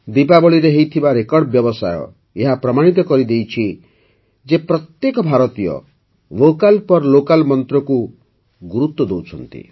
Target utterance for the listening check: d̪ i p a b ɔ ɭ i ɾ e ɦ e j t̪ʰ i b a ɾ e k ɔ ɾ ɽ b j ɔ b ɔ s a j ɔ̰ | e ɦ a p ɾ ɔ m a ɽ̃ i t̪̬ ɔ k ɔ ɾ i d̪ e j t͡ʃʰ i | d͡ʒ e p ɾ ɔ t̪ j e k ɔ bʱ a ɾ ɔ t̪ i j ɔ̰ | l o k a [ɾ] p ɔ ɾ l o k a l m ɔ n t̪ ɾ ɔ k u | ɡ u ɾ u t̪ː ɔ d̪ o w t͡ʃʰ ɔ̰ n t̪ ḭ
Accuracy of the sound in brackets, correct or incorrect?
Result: incorrect